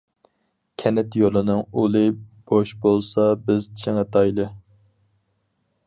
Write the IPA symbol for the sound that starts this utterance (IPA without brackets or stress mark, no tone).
kʲʰ